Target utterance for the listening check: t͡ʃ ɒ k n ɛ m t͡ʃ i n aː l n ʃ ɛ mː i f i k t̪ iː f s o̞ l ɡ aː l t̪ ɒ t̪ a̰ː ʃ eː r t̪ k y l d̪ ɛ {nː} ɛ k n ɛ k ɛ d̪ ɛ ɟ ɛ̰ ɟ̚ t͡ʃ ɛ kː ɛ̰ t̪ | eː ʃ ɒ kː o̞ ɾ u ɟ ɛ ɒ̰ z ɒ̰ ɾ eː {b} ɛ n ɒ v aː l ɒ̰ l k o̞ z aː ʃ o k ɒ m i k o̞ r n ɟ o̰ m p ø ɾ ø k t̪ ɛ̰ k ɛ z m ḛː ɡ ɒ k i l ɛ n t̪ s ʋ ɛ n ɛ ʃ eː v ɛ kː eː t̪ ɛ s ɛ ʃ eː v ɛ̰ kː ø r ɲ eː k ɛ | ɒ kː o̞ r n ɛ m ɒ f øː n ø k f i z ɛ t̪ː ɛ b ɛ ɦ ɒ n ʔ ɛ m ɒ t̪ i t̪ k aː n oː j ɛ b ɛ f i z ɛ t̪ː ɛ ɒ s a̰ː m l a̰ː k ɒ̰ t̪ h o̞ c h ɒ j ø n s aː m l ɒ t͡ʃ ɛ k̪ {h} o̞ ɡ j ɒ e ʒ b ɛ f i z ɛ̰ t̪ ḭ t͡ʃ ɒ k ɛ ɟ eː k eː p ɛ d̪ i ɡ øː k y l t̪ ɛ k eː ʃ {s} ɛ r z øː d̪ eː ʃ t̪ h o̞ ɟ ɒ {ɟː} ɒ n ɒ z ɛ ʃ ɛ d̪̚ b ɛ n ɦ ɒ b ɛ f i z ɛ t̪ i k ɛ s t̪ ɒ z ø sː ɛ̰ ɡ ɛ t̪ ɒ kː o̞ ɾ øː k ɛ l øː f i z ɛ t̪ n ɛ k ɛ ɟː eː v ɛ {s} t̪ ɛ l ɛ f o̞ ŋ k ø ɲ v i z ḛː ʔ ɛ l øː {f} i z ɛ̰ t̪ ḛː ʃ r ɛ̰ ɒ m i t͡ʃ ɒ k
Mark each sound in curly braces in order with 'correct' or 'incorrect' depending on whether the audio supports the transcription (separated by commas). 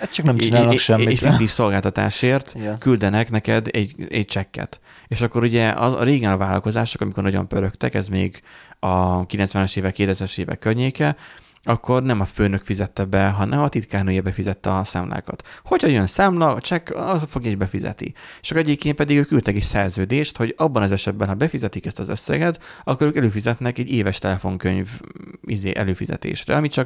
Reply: incorrect, incorrect, incorrect, correct, incorrect, incorrect, correct